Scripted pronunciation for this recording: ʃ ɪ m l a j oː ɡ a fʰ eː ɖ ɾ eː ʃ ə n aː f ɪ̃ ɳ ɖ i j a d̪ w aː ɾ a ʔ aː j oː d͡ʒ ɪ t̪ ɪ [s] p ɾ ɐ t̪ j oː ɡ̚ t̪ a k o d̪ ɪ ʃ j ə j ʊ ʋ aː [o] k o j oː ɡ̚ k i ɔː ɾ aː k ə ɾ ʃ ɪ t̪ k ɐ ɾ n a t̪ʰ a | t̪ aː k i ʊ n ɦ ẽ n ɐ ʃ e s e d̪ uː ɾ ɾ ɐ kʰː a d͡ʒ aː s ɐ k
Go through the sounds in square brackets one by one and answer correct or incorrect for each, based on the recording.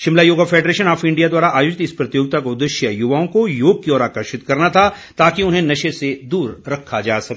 correct, incorrect: õ

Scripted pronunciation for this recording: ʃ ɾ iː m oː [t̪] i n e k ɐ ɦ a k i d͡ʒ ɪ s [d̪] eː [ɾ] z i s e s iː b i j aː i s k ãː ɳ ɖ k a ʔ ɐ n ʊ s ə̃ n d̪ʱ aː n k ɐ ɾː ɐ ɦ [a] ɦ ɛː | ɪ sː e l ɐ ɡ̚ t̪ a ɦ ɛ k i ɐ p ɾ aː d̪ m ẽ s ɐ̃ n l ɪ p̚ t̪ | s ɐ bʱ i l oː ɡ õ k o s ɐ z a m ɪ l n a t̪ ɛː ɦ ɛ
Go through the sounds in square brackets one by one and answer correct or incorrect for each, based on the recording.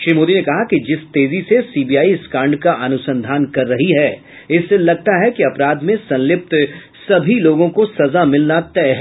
incorrect: d̪, incorrect: t̪, incorrect: none, incorrect: i

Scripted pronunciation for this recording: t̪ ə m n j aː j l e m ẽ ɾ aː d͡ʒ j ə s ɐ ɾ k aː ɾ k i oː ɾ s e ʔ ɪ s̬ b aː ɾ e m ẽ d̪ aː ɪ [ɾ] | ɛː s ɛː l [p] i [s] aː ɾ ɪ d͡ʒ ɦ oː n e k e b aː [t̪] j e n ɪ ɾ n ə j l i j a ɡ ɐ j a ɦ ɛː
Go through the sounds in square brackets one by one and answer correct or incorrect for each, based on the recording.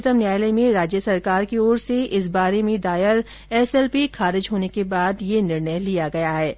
correct, correct, incorrect: x, incorrect: d̪

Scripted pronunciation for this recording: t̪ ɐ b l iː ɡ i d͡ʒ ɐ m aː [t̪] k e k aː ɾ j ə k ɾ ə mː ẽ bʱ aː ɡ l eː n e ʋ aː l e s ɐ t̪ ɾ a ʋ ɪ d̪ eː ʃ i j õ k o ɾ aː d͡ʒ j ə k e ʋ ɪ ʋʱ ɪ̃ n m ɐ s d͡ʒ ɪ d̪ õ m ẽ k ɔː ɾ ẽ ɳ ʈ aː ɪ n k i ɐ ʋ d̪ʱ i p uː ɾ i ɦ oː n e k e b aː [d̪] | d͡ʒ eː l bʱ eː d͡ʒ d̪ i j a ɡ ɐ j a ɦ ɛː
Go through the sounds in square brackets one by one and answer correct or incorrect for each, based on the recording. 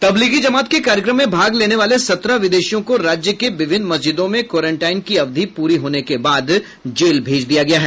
correct, correct

